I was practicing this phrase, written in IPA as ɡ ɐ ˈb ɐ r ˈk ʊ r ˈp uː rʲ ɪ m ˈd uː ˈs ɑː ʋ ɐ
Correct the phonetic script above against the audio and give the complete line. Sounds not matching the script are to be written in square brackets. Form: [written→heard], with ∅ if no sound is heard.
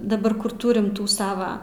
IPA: [ɡ→d] ɐ ˈb ɐ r ˈk ʊ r [ˈp→ˈt] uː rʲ ɪ m [ˈd→ˈt] uː ˈs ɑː ʋ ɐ